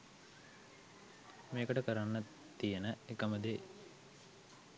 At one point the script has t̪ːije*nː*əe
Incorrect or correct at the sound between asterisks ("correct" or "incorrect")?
incorrect